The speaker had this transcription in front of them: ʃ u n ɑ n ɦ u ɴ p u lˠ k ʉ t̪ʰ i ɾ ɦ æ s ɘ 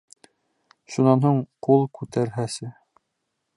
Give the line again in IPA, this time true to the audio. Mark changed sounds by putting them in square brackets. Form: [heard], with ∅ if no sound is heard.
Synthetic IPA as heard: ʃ u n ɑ n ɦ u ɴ [q] u lˠ k ʉ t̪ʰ [æ] ɾ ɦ æ s ɘ